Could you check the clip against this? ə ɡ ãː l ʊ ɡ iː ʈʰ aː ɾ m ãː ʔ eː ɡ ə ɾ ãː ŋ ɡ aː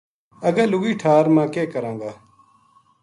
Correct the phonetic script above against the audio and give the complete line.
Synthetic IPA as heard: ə ɡ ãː l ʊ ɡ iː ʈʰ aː ɾ m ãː k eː k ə ɾ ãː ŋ ɡ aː